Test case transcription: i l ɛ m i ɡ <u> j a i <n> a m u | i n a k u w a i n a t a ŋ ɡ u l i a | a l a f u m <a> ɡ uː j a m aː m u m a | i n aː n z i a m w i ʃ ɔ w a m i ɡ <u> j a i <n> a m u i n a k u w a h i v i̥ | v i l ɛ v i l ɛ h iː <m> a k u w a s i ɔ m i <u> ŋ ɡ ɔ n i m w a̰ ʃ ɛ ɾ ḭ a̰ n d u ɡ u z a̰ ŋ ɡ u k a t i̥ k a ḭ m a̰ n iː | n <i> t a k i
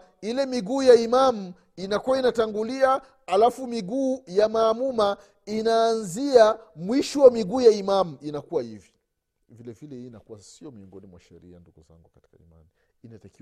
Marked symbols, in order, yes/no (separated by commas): no, no, no, no, no, no, no, no